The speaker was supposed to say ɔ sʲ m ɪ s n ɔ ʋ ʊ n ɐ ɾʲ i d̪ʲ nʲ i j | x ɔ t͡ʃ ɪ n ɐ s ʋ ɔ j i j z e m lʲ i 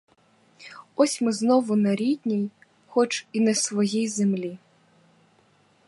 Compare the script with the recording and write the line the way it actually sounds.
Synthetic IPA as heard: ɔ sʲ m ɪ z n ɔ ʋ ʊ n ɐ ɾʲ i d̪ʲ nʲ i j | x ɔ t͡ʃ i n ɐ s ʋ ɔ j i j z e m lʲ i